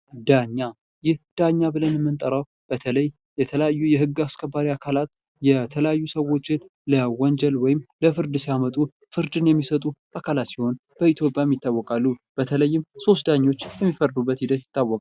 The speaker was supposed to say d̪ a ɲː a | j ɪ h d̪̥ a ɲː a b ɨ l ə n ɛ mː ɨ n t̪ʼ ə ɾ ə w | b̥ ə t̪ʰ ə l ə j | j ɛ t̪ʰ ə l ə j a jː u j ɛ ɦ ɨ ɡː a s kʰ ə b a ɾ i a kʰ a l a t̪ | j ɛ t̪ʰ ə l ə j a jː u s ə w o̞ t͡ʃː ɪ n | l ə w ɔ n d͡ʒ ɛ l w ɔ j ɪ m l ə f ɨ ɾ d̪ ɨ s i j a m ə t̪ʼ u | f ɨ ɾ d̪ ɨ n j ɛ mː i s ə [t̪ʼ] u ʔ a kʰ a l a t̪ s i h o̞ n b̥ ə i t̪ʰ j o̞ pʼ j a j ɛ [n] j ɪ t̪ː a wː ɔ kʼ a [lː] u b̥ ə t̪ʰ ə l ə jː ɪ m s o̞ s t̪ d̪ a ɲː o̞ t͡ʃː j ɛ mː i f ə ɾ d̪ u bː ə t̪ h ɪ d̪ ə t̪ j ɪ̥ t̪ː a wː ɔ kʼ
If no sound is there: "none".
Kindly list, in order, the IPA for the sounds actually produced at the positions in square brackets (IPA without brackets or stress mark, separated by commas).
t̪ʼ, m, lː